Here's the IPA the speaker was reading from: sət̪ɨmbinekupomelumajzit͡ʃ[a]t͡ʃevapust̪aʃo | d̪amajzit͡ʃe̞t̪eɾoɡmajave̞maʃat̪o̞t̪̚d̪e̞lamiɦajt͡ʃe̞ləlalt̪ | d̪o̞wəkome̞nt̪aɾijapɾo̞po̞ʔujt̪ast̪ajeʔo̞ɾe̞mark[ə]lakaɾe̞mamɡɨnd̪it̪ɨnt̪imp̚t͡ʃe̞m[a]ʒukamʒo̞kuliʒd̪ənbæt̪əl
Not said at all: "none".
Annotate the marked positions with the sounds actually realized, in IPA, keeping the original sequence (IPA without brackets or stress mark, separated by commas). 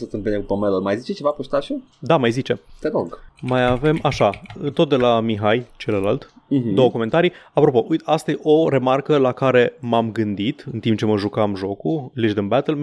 e, ə, ə